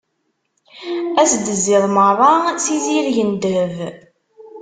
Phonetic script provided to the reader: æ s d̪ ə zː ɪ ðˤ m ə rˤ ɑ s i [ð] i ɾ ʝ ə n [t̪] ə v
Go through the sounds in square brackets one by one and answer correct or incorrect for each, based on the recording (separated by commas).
incorrect, incorrect